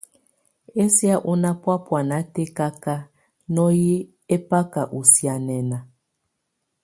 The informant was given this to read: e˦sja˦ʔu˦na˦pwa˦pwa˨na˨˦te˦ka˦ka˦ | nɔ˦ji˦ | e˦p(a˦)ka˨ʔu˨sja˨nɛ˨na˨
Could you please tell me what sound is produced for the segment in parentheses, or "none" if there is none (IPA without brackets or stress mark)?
a˦